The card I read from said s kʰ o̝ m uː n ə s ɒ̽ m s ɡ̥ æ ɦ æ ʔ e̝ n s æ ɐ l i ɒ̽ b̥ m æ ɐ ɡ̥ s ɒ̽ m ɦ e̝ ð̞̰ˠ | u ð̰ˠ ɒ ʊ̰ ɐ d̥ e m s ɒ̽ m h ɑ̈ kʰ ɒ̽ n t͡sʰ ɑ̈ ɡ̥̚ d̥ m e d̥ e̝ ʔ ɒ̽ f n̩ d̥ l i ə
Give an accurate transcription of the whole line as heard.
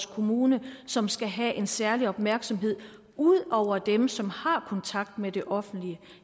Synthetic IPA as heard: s kʰ o̝ m uː n ə s ɒ̽ m s ɡ̥ æ ɦ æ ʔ e̝ n s æ ɐ l i ɒ̽ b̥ m æ ɐ ɡ̥ s ɒ̽ m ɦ e̝ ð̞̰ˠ | u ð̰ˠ ɒ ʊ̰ ɐ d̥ e m s ɒ̽ m h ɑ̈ kʰ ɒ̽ n t͡sʰ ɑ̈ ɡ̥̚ d̥ m e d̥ e̝ ʔ ɒ̽ f n̩ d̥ l i ə

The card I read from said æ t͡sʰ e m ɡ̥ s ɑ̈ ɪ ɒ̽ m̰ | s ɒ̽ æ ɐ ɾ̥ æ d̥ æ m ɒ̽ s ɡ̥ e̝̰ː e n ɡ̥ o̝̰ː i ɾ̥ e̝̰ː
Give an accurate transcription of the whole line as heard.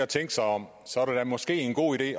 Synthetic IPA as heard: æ t͡sʰ e ŋ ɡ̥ s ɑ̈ ɪ ɒ̽ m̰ | s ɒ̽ æ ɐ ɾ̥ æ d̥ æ m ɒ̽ s ɡ̥ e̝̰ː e n ɡ̥ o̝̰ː i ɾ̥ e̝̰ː

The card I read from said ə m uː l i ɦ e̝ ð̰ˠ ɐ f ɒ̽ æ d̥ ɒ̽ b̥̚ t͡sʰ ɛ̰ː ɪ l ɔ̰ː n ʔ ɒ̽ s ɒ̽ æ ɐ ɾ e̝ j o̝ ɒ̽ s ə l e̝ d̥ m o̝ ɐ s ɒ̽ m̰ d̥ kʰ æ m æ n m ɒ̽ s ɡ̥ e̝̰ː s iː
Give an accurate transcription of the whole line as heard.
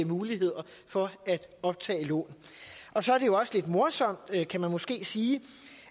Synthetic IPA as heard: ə m uː l i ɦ e̝ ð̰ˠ ɐ f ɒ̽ æ d̥ ɒ̽ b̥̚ t͡sʰ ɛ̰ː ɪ l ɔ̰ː n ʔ ɒ̽ s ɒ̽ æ ɐ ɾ e̝ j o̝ ɒ̽ s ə l e̝ d̥ m o̝ ɐ s ɒ̽ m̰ d̥ kʰ æ m æ n m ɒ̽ s ɡ̥ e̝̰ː s iː

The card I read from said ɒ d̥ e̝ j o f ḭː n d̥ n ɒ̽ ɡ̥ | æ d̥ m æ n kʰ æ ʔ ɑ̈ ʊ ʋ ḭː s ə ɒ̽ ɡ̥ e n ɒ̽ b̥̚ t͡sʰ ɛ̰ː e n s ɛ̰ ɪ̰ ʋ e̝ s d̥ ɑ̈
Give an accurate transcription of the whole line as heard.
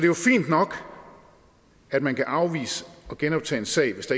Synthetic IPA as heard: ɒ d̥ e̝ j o f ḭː n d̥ n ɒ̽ ɡ̥ | æ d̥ m æ n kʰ æ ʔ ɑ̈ ʊ ʋ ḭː s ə ɒ̽ ɡ̥ e n ɒ̽ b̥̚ t͡sʰ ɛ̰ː e n s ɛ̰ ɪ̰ ʋ e̝ s d̥ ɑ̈

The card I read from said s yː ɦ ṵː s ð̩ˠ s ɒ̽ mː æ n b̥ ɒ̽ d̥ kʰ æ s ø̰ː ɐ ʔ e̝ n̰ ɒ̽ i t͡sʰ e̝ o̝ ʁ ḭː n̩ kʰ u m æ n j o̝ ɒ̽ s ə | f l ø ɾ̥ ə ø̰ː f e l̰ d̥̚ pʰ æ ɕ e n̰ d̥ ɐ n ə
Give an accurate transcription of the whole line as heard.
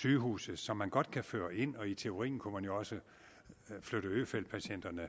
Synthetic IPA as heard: s yː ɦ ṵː s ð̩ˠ s ɒ̽ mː æ n ɡ̥ ɒ̽ d̥ kʰ æ f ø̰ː ɐ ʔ e̝ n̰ ɒ̽ i t͡sʰ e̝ o̝ ʁ ḭː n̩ kʰ u m æ n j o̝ ɒ̽ s ə | f l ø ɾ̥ ə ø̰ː f e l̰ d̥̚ pʰ æ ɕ e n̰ d̥ ɐ n ə

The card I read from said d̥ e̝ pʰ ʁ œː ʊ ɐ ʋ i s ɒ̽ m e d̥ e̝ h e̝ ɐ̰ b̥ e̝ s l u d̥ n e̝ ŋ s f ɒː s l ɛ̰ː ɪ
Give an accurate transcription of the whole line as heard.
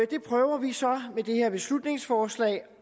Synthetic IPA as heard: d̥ e̝ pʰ ʁ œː ʊ ɐ ʋ i s ɒ̽ m e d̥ e̝ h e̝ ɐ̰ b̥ e̝ s l u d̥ n e̝ ŋ s f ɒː s l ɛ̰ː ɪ

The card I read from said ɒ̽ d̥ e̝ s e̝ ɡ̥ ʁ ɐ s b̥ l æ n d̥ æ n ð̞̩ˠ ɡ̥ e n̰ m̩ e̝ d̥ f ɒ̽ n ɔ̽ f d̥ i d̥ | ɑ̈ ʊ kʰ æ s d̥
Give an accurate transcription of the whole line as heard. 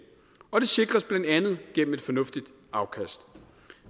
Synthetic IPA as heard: ɒ̽ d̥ e̝ s e̝ ɡ̥ ʁ ɐ s b̥ l æ n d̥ æ n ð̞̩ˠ ɡ̥ e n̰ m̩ e̝ d̥ f ɒ̽ n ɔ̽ f d̥ i d̥ | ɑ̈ ʊ kʰ æ s d̥

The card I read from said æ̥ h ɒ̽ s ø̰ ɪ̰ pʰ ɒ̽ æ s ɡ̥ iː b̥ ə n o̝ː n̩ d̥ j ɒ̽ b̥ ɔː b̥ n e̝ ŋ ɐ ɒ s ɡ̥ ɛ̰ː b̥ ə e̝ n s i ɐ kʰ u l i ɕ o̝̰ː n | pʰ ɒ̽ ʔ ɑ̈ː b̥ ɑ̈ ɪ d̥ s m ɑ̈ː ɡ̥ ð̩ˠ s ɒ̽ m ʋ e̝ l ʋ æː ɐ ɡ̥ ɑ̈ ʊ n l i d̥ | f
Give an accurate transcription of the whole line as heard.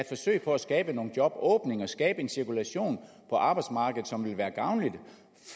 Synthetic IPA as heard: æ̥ f ɒ̽ s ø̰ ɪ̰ pʰ ɒ̽ æ s ɡ̥ ɛː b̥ ə n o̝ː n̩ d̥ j ɒ̽ b̥ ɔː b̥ n e̝ ŋ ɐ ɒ s ɡ̥ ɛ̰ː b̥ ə e̝ n s i ɐ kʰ u l æ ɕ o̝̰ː n | pʰ ɒ̽ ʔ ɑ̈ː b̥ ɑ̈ ɪ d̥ s m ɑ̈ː ɡ̥ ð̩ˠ s ɒ̽ m ʋ e̝ l ʋ æː ɐ ɡ̥ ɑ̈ ʊ n l i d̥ | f

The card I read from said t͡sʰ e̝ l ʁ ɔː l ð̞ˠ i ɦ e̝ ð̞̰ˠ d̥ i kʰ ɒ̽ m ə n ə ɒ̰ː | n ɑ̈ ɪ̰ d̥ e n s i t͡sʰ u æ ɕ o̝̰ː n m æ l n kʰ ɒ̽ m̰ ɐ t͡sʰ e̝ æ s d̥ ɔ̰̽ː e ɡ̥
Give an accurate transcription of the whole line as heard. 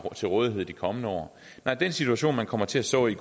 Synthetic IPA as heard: t͡sʰ e̝ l ʁ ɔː ð̞ˠ i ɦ e̝ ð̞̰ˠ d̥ i kʰ ɒ̽ m ə n ə ɒ̰ː | n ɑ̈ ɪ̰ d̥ e n s i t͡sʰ u æ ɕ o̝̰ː n m æ n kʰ ɒ̽ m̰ ɐ t͡sʰ e̝ æ s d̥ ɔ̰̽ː i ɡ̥

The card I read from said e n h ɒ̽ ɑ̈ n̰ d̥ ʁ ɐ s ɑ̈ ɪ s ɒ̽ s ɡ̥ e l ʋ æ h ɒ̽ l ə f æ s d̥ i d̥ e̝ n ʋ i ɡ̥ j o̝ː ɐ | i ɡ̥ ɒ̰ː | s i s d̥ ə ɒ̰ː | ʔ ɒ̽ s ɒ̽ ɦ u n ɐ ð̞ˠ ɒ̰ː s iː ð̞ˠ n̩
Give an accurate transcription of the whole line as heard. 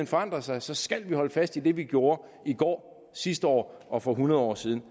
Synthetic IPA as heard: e n f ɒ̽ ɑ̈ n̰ d̥ ʁ ɐ s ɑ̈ ɪ s ɒ̽ s ɡ̥ æ l ʋ i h ɒ̽ l ə f æ s d̥ i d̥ e̝ ʋ i ɡ̥ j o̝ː ɐ | i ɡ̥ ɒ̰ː | s i s d̥ ə ɒ̰ː | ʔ ɒ̽ f ɒ̽ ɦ u n ɐ ð̞ˠ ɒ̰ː s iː ð̞ˠ n̩

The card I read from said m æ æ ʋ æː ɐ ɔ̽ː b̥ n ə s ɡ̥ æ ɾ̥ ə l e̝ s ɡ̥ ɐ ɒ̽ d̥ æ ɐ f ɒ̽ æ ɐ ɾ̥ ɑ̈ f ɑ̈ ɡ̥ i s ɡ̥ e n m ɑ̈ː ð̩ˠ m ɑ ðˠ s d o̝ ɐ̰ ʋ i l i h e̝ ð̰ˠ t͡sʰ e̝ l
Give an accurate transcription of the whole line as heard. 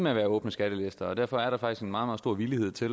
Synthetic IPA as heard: m e æ ʋ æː ɐ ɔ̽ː b̥ n ə s ɡ̥ æ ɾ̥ ə l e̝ s d̥ ɐ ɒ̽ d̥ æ ɐ f ɒ̽ æ ɐ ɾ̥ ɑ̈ f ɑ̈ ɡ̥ i s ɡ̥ e n m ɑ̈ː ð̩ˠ m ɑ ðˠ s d o̝ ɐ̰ ʋ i l i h e̝ ð̰ˠ t͡sʰ e̝ l

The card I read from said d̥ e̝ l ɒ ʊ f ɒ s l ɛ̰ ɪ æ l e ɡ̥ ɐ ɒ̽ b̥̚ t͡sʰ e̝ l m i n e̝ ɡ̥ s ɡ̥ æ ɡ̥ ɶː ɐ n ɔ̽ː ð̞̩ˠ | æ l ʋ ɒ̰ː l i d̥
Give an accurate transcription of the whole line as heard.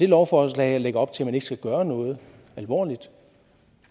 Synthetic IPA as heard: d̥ e̝ l ɒ ʊ f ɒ s l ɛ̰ ɪ æ l e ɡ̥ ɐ ɒ̽ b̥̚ t͡sʰ e̝ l m æ n e̝ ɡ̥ s ɡ̥ æ ɡ̥ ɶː ɐ n ɔ̽ː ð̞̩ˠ | æ l ʋ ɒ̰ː l i d̥

